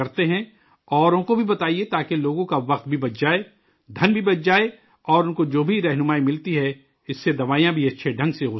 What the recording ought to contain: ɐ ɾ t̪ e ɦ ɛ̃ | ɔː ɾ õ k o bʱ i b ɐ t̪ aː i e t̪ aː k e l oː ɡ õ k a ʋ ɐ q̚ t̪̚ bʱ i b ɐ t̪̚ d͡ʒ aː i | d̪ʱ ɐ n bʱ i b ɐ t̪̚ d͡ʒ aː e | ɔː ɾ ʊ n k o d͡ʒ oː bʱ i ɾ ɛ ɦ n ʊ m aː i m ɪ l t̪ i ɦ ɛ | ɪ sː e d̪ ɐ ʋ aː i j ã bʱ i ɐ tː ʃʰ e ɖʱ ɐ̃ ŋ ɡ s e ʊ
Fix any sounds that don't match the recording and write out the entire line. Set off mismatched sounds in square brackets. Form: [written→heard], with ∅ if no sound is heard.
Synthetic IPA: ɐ ɾ t̪ e ɦ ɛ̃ | ɔː ɾ õ k o bʱ i b ɐ t̪ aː i e t̪ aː k e l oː ɡ õ k a ʋ ɐ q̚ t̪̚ bʱ i b ɐ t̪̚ d͡ʒ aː [i→e] | d̪ʱ ɐ n bʱ i b ɐ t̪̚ d͡ʒ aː e | ɔː ɾ ʊ n k o d͡ʒ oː bʱ i ɾ ɛ ɦ n ʊ m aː i m ɪ l t̪ i ɦ ɛ | ɪ sː e d̪ ɐ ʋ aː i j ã bʱ i ɐ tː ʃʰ e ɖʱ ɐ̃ ŋ ɡ s e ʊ